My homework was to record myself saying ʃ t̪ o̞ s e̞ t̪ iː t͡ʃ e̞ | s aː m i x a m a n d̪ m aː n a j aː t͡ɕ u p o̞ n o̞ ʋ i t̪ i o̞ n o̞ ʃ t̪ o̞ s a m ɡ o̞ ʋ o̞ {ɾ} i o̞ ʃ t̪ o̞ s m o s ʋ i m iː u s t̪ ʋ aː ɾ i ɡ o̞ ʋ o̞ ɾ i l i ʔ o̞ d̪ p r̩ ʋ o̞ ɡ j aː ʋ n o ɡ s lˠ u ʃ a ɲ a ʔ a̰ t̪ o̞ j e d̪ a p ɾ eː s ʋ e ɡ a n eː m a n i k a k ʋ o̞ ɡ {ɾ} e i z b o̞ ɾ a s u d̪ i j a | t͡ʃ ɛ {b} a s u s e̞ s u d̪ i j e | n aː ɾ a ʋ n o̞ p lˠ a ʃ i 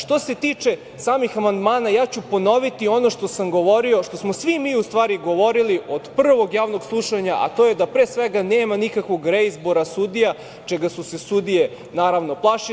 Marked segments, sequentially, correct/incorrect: correct, correct, incorrect

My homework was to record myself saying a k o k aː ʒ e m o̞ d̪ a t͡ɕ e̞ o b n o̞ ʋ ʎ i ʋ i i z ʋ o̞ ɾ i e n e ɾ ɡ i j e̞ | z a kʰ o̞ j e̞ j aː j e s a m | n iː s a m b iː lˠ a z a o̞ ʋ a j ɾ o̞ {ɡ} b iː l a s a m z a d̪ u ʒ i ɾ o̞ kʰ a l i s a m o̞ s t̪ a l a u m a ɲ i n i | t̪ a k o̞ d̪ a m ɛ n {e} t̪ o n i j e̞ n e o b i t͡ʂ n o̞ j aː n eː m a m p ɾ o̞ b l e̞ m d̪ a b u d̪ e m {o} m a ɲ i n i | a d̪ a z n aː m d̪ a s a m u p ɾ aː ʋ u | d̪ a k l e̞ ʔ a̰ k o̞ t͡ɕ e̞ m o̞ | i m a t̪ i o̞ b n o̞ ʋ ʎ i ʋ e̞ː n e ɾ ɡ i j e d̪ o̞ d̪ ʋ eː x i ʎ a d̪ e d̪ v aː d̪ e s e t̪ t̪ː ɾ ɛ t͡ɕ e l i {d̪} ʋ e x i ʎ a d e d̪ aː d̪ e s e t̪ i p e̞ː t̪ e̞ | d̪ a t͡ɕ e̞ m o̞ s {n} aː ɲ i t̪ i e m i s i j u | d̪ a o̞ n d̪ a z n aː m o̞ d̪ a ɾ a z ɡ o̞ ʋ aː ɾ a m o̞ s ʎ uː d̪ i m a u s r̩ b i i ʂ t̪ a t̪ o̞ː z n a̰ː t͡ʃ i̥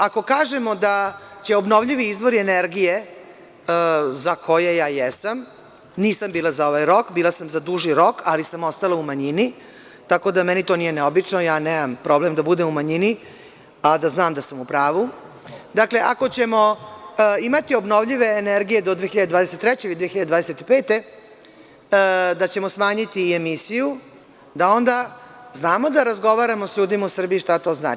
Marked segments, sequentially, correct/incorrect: incorrect, incorrect, incorrect, correct, incorrect

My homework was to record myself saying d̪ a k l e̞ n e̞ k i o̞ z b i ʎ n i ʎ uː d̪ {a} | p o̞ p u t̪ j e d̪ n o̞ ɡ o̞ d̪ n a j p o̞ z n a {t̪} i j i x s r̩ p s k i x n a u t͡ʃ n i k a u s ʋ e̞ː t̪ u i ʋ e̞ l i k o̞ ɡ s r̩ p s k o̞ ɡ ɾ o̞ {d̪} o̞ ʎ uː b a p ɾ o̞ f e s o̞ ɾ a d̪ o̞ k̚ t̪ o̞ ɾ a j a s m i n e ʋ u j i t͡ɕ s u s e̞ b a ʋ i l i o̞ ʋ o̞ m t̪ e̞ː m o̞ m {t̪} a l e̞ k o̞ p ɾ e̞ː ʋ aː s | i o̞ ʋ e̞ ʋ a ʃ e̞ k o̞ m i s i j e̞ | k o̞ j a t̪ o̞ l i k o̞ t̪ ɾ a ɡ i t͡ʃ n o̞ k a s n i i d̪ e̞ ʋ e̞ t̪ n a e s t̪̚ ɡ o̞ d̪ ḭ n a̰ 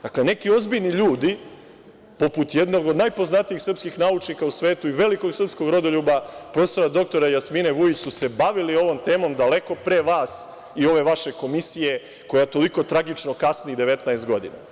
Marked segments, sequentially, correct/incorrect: incorrect, correct, correct, incorrect

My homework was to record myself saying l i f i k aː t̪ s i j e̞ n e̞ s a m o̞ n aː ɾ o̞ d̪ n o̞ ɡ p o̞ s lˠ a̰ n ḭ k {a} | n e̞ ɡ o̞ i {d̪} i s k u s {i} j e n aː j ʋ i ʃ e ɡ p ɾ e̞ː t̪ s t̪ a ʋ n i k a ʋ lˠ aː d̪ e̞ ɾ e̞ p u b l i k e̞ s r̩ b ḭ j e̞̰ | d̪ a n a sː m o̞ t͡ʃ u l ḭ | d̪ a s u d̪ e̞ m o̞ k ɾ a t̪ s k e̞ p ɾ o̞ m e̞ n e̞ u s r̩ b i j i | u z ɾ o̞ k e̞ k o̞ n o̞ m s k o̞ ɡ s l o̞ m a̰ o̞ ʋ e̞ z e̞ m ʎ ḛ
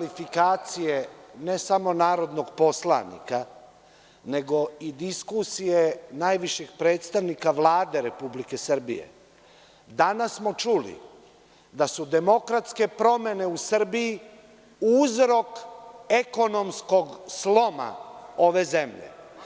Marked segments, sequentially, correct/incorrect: correct, correct, correct

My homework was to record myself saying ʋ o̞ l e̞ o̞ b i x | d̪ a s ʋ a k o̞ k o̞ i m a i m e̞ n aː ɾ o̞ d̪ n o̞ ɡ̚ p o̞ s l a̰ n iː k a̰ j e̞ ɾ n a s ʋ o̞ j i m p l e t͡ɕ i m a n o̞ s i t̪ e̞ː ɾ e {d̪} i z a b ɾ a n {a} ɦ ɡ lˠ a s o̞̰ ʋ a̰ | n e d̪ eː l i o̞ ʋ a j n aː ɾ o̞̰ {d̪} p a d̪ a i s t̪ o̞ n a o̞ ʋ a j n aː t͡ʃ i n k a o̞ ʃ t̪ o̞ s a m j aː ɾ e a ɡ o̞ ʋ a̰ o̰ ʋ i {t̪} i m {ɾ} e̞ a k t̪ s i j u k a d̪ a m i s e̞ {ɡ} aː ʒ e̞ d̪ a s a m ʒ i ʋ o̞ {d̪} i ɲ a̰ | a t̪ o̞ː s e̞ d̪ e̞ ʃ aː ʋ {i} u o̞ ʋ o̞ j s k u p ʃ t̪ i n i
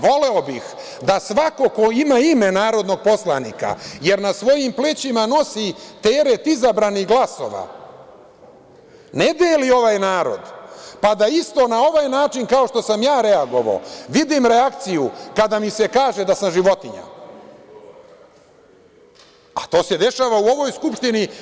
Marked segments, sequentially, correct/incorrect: incorrect, incorrect, correct, incorrect, correct, incorrect, incorrect, incorrect

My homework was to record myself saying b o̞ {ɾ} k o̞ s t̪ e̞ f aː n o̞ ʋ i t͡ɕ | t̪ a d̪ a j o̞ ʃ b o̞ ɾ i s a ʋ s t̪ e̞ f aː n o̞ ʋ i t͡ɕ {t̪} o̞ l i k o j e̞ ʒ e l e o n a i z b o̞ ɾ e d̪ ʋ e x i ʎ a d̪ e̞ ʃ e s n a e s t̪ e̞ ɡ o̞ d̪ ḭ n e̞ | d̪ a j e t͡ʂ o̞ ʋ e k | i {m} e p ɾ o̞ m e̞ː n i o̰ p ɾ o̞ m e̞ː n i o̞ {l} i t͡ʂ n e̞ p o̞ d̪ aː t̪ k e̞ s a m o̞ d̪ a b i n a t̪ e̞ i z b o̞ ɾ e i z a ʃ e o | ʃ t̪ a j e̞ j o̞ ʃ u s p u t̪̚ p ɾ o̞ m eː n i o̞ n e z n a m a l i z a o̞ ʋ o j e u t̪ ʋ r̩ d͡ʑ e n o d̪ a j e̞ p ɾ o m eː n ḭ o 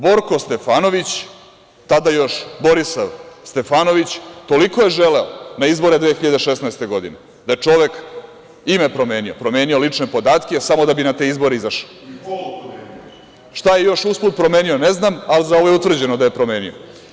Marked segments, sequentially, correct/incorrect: correct, correct, correct, correct

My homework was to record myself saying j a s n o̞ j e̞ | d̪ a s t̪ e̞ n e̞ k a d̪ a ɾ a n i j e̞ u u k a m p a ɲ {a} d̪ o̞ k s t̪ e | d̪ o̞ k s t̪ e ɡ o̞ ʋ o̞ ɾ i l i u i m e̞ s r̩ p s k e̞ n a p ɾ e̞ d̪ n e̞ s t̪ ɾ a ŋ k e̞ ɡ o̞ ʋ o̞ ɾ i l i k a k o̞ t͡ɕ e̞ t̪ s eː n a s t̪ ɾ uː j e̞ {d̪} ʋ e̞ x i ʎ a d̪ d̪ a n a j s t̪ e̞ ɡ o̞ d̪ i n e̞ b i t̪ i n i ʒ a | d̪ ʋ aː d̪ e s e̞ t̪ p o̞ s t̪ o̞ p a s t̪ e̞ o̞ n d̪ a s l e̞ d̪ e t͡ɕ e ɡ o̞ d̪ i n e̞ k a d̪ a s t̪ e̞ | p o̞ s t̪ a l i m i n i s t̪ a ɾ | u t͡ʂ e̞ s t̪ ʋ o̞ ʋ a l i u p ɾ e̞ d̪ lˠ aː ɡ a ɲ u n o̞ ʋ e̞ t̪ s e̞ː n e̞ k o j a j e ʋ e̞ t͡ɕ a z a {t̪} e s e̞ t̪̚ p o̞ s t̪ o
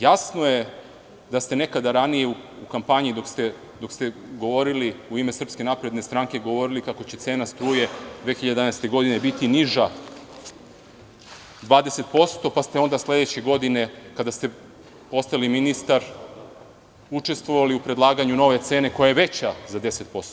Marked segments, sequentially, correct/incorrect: incorrect, correct, incorrect

